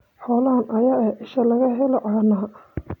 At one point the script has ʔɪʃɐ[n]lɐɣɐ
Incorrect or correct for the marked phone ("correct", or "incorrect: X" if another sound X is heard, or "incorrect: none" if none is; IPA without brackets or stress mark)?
incorrect: none